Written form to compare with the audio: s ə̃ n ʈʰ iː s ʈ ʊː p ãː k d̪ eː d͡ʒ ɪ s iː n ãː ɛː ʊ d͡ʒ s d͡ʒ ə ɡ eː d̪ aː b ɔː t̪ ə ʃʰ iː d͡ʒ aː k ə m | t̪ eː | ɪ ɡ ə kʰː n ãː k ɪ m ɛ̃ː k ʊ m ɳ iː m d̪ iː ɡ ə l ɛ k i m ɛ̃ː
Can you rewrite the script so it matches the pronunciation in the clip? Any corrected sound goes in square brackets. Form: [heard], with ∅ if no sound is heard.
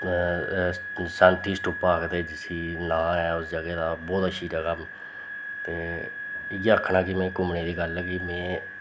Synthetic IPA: s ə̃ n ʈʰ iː s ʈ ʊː p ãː k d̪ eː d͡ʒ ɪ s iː n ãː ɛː ʊ [∅] s d͡ʒ ə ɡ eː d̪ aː b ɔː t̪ ə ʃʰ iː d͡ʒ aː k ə m | t̪ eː | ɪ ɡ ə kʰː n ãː k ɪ m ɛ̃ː k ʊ m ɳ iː [∅] d̪ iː ɡ ə l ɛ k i m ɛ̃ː